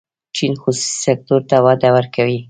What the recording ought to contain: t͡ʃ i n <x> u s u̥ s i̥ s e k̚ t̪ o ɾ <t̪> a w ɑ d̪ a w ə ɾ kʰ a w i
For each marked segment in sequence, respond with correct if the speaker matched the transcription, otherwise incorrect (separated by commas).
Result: correct, correct